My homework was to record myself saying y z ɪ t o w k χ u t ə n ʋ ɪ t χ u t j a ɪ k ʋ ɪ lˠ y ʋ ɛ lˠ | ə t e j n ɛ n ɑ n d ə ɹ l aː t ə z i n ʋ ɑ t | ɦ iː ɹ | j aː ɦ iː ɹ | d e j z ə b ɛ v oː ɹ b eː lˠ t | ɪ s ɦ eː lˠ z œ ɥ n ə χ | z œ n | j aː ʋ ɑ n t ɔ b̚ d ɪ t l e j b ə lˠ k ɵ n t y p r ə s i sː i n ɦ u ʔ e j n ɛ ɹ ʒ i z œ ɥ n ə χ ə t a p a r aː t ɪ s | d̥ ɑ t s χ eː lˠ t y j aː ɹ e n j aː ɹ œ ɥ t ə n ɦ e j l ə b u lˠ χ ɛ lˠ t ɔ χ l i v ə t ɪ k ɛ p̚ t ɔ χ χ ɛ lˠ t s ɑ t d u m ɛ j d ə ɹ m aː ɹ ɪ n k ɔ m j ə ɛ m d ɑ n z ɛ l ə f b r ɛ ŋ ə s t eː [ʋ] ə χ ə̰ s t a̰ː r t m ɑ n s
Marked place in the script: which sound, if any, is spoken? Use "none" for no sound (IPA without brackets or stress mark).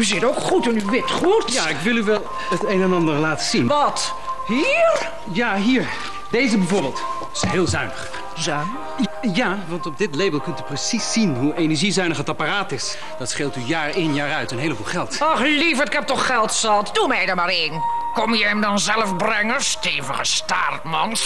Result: v